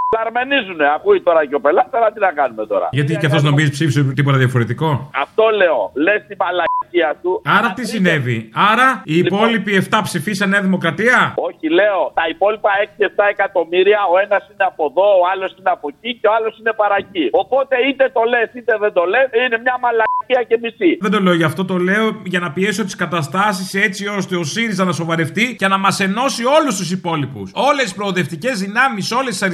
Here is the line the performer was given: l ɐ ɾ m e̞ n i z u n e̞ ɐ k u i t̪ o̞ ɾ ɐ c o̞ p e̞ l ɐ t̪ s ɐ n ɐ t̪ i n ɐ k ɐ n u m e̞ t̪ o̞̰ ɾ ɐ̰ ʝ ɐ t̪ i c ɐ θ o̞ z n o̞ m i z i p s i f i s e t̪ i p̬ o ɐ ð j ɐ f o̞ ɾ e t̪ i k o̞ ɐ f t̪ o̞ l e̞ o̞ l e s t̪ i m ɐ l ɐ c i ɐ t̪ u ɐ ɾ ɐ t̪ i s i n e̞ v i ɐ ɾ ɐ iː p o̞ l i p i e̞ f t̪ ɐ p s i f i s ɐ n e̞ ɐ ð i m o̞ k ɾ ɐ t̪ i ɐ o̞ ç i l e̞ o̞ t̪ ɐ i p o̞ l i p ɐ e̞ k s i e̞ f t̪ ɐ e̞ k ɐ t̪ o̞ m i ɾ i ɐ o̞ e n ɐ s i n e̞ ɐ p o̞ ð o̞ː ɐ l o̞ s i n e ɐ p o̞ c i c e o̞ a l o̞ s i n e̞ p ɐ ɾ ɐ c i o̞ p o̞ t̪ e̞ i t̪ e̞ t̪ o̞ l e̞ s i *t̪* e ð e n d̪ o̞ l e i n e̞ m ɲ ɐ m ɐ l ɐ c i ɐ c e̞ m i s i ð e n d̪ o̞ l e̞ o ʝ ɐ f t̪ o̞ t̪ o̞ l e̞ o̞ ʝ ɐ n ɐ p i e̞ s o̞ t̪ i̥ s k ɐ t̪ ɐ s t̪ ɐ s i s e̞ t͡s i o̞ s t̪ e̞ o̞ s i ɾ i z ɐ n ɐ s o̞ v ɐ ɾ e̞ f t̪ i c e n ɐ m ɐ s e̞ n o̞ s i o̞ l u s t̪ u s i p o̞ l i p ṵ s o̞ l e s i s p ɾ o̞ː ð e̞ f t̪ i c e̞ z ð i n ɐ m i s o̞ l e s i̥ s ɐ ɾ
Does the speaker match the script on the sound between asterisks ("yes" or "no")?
yes